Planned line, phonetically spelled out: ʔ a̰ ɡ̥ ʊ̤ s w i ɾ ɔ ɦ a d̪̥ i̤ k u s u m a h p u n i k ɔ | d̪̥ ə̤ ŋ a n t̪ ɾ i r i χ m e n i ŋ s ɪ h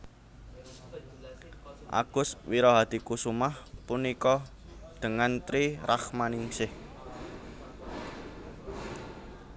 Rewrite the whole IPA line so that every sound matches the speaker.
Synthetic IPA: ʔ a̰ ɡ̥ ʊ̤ s w i ɾ ɔ ɦ a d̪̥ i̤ k u s u m a h p u n i k ɔ | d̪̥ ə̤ ŋ a n t̪ ɾ i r a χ m a n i ŋ s ɪ h